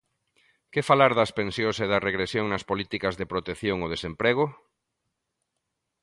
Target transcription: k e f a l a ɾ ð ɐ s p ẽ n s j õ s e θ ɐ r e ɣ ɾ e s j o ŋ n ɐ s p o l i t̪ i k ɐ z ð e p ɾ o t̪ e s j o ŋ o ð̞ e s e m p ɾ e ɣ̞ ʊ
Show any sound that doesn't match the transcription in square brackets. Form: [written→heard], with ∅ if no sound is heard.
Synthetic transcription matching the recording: k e f a l a ɾ ð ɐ s p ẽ n s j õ s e [θ→ð] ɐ r e ɣ ɾ e s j o ŋ n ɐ s p o l i t̪ i k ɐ z ð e p ɾ o t̪ e [s→θ] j o ŋ o ð̞ e s e m p ɾ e ɣ̞ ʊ